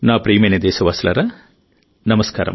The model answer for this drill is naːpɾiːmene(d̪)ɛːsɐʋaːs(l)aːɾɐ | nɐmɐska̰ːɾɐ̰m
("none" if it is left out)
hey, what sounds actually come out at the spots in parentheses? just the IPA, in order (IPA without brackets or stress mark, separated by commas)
d̪, l